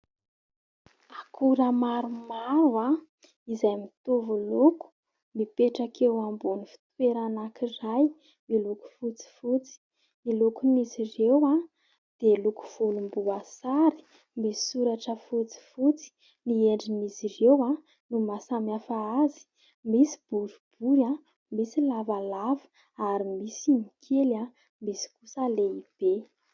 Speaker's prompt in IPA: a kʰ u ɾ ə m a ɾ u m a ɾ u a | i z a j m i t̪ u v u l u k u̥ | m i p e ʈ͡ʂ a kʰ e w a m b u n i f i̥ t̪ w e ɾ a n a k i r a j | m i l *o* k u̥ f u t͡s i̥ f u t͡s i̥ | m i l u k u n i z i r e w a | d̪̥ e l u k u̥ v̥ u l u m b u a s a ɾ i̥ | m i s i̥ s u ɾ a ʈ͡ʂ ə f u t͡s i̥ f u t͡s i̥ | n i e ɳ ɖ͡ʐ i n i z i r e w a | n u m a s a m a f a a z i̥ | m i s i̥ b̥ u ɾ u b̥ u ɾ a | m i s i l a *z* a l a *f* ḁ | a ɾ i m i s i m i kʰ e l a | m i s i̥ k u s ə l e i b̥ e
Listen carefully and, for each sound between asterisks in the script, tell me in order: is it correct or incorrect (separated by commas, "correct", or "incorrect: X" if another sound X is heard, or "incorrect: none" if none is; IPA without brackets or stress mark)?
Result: incorrect: u, incorrect: v, incorrect: v